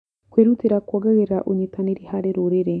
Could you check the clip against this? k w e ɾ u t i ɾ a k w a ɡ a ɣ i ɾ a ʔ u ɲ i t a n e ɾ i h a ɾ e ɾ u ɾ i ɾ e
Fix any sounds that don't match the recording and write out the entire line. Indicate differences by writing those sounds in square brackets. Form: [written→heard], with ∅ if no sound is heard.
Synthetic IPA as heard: k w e ɾ u t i ɾ a k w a ɡ a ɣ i ɾ a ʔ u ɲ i t a n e ɾ i h a ɾ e ɾ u ɾ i ɾ e